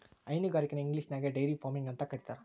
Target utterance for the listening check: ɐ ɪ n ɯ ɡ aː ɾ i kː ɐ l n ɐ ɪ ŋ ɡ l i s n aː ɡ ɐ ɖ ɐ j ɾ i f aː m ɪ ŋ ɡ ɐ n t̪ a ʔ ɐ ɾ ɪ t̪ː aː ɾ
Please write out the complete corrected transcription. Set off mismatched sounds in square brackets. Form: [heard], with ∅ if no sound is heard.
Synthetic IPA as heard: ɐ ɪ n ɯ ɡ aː ɾ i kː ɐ [∅] n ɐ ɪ ŋ ɡ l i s n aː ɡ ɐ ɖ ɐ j ɾ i f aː m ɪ ŋ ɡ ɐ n t̪ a [k] ɐ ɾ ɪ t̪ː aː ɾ